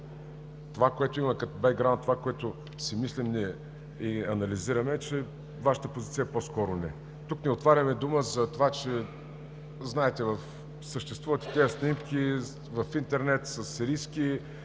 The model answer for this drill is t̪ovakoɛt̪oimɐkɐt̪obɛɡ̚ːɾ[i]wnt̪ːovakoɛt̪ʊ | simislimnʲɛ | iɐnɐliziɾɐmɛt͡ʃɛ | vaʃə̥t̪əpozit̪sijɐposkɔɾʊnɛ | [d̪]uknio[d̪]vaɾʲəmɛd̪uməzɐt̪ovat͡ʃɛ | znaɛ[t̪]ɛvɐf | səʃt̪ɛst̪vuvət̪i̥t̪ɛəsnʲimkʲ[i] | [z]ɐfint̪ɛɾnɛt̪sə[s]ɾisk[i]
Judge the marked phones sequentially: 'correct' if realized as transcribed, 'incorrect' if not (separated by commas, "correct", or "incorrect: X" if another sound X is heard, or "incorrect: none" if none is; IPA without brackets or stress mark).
incorrect: a, incorrect: t̪, incorrect: t̪, correct, correct, incorrect: v, correct, correct